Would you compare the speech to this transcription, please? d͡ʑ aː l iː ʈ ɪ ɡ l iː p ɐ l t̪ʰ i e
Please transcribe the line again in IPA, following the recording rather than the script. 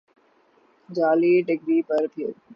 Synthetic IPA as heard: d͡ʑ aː l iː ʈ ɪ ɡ ɾ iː p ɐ ɾ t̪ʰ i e